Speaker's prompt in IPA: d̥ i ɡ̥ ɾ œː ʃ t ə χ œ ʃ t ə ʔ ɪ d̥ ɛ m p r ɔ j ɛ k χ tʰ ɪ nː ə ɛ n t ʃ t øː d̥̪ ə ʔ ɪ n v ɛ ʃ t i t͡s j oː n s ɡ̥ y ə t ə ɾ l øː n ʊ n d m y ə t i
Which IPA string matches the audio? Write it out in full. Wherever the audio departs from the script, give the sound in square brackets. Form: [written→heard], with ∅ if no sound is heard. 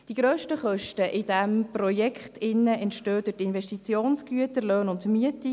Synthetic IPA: d̥ i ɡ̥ ɾ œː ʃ t ə χ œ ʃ t ə ʔ ɪ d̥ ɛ m p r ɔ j ɛ k χ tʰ ɪ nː ə ɛ n t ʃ t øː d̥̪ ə [ʔ→t] ɪ n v ɛ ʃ t i t͡s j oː n s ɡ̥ y ə t ə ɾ l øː n ʊ n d m y ə t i